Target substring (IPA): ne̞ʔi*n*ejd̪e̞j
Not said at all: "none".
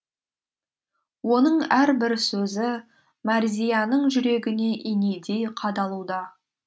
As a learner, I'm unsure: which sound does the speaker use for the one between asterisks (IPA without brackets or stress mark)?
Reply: n